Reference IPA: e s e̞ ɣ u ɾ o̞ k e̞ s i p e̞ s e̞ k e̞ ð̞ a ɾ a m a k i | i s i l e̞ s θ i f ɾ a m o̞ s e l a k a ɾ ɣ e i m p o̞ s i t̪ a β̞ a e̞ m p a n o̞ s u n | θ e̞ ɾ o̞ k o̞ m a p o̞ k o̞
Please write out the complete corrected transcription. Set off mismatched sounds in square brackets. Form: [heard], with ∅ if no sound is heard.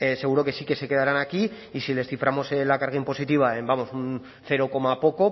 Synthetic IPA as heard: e s e̞ ɣ u ɾ o̞ k e̞ s i [k] e̞ s e̞ k e̞ ð̞ a ɾ a [n] a k i | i s i l e̞ s θ i f ɾ a m o̞ s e l a k a ɾ ɣ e i m p o̞ s i t̪ [i] β̞ a e̞ m [b] a [m] o̞ s u n | θ e̞ ɾ o̞ k o̞ m a p o̞ k o̞